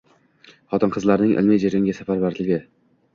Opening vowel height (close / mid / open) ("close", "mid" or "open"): open